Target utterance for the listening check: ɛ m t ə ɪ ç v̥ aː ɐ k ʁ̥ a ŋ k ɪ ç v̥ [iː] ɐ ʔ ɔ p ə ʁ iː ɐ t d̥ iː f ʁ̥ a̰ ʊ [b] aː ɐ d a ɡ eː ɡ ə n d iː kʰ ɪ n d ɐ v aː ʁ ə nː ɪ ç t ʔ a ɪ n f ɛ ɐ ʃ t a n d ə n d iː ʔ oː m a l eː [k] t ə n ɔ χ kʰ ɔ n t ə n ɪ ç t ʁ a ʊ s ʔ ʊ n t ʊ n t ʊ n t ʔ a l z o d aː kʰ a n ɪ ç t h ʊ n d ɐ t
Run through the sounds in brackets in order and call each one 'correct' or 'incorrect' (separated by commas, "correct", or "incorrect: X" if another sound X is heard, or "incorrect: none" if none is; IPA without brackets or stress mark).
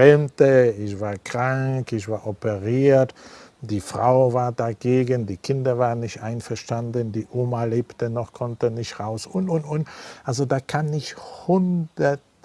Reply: incorrect: aː, incorrect: v, incorrect: p